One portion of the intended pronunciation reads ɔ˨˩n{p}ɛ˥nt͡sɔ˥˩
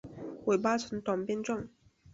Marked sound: correct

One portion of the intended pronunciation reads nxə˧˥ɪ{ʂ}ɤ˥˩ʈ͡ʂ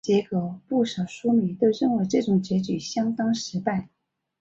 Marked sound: incorrect: ʈ͡ʂ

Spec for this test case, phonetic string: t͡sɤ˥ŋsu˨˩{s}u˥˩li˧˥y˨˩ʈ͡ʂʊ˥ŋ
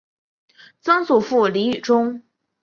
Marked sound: incorrect: f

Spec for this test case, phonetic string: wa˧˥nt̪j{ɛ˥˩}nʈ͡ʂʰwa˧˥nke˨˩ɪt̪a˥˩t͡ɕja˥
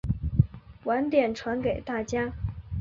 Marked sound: incorrect: ɛ˨˩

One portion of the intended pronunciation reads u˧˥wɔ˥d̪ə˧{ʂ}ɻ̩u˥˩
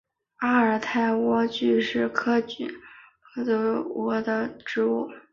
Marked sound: incorrect: ʈ͡ʂ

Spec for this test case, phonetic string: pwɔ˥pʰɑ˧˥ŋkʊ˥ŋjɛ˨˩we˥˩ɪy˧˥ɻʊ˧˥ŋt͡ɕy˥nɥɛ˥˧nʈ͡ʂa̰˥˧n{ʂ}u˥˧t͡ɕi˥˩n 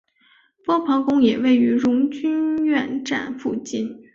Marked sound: incorrect: f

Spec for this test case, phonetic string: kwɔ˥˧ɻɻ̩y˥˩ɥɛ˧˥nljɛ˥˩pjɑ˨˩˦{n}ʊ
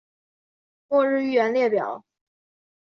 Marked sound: incorrect: none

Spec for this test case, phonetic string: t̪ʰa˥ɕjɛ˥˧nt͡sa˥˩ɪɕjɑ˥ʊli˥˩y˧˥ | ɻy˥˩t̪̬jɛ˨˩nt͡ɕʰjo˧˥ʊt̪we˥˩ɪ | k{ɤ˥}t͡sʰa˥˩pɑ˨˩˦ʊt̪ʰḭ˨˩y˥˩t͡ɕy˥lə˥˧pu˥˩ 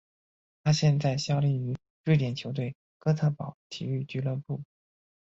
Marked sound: correct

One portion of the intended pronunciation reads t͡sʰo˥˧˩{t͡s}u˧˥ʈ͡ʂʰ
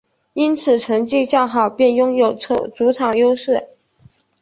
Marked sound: correct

